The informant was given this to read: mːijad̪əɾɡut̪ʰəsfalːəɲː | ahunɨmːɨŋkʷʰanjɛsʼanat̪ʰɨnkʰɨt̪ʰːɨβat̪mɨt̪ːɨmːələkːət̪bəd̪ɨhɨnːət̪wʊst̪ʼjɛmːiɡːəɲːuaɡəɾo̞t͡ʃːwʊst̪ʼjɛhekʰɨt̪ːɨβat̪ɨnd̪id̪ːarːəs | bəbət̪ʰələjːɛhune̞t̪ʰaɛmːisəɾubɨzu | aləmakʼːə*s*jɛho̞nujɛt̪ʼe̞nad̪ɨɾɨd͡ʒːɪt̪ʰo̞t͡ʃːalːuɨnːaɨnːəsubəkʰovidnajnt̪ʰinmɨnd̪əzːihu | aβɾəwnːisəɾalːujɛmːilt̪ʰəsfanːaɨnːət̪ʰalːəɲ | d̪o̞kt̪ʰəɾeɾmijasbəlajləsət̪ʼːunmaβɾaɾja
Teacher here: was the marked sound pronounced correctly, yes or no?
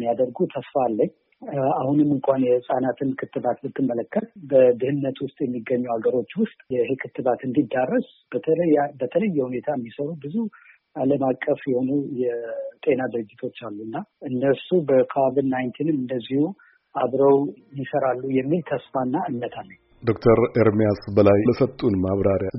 no